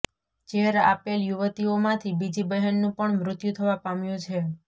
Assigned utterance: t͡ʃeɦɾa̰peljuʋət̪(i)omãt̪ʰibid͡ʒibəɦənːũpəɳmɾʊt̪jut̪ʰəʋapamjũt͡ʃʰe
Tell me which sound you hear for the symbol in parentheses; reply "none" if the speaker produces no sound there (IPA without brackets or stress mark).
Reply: i